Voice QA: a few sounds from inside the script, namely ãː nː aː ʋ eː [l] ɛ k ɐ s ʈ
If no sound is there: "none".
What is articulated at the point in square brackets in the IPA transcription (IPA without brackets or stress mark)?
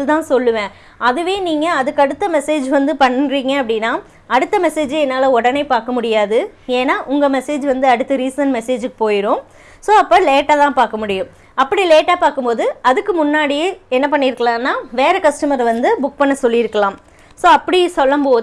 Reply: ɾ